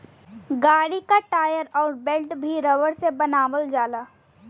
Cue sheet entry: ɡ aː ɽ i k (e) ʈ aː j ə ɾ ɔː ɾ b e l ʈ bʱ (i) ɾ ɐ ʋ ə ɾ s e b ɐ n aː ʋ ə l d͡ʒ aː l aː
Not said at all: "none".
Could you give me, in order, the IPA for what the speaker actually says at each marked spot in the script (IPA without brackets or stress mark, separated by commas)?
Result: a, i